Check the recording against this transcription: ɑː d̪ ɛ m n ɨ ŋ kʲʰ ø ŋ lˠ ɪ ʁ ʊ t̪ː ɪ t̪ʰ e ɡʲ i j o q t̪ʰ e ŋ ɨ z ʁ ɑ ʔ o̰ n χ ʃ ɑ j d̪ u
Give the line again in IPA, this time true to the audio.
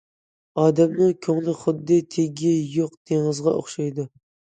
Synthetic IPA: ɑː d̪ ɛ m n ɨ ŋ kʲʰ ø ŋ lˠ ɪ χ ʊ d̪ː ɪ t̪ʰ e ɡʲ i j o q t̪ʰ e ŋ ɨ z ʁ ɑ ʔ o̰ χ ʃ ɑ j d̪ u